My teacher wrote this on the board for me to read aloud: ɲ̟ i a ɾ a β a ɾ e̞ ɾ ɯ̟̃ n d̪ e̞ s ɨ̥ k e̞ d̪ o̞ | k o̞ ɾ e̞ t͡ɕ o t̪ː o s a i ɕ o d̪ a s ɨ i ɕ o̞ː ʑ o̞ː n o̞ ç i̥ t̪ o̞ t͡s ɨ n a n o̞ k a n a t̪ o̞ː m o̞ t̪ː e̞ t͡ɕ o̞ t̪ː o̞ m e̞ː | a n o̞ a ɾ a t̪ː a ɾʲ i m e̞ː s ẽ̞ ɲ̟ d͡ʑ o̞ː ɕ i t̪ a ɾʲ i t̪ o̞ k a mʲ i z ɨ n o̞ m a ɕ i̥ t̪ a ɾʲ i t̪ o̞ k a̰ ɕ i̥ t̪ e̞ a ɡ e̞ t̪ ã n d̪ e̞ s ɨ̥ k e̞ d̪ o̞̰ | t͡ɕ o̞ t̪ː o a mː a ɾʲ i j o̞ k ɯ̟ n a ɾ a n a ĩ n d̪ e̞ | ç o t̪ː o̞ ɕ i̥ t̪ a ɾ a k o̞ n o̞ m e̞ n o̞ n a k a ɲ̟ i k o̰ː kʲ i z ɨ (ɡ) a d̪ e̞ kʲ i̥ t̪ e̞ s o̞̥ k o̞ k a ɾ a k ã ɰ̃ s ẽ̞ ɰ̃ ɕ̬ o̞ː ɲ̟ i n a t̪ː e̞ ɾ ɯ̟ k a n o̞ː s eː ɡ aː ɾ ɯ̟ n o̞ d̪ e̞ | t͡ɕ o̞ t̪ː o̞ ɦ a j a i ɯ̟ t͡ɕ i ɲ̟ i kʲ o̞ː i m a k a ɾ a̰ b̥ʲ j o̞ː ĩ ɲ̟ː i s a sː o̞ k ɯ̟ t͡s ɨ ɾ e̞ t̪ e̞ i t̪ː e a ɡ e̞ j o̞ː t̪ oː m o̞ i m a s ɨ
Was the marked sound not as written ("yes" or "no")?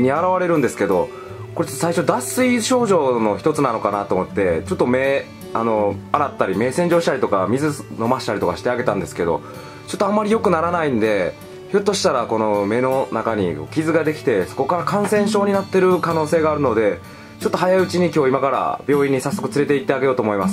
no